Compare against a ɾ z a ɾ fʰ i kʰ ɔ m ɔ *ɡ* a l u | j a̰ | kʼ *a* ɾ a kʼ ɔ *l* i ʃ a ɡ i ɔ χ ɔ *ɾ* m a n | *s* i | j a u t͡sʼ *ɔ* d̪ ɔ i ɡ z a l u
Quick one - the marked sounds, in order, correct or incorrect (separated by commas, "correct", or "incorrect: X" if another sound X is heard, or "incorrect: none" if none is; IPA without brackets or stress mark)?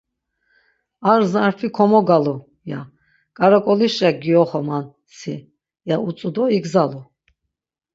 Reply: correct, correct, correct, incorrect: none, correct, incorrect: u